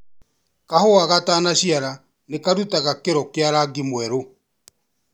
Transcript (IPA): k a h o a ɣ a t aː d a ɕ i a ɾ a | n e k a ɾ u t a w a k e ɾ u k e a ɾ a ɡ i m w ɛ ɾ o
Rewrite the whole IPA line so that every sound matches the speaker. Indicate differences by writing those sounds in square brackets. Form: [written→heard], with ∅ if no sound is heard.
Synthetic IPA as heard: k a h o a ɣ a t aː [d→n] a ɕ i a ɾ a | n e k a ɾ u t a [w→ɣ] a k e ɾ [u→ɔ] k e a ɾ a ɡ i m w ɛ ɾ o